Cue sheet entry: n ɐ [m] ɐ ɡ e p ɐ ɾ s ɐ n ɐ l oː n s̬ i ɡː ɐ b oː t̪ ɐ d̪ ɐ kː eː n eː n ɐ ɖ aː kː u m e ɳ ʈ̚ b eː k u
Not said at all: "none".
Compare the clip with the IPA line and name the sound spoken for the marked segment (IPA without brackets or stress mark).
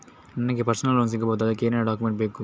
n